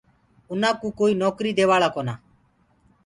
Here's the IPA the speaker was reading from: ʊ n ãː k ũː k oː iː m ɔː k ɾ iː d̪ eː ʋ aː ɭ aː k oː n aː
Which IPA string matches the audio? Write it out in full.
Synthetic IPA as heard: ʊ n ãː k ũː k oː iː n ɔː k ɾ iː d̪ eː ʋ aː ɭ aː k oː n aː